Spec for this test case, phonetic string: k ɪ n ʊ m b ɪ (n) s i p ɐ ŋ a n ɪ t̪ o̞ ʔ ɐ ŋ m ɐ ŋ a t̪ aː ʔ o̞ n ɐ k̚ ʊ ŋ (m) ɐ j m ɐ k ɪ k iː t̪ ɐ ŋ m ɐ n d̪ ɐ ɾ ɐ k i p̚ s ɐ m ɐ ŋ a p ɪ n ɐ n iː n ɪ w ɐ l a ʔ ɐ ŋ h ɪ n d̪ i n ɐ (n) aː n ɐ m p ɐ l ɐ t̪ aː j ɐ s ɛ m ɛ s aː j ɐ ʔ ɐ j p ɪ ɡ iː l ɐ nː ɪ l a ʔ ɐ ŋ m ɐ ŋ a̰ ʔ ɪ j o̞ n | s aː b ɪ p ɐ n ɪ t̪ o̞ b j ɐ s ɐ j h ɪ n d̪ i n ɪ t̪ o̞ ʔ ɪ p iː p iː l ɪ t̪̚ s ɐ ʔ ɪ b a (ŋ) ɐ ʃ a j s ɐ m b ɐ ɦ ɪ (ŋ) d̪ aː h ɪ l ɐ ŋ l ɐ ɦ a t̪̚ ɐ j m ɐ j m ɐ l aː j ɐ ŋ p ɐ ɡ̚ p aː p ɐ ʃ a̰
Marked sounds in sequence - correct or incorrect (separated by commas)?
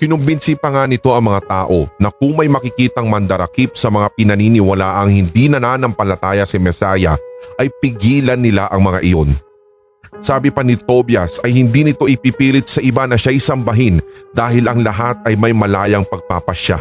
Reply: correct, correct, correct, incorrect, incorrect